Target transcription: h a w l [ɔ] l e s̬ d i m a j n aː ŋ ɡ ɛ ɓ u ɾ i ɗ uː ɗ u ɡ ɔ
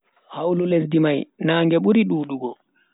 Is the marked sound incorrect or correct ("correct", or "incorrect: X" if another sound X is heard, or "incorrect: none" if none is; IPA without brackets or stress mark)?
incorrect: u